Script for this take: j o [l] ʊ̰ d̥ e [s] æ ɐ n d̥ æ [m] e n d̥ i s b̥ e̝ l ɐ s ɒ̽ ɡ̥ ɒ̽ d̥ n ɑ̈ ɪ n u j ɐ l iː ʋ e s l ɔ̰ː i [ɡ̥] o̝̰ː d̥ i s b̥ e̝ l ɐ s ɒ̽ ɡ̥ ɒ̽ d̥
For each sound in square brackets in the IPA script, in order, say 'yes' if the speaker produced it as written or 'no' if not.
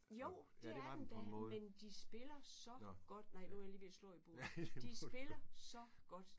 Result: no, no, yes, no

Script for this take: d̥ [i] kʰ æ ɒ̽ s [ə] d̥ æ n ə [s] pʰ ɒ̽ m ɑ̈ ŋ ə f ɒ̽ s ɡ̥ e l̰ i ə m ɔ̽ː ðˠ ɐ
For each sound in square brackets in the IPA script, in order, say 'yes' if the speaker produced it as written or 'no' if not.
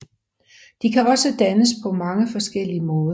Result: yes, yes, yes

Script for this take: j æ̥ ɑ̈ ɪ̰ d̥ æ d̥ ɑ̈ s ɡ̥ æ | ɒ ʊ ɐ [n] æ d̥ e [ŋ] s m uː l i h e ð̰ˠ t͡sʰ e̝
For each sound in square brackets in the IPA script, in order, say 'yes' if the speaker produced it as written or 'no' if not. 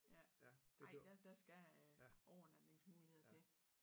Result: yes, yes

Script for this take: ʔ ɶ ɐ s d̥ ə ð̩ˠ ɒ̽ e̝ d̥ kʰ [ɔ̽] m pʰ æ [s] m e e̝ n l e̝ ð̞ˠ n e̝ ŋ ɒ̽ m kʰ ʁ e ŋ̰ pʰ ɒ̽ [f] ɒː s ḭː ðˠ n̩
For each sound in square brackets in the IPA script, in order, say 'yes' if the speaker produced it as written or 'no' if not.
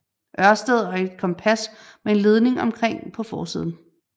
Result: no, yes, yes

